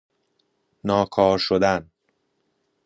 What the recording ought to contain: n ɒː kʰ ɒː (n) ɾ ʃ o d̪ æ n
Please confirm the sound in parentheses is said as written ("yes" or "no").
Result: no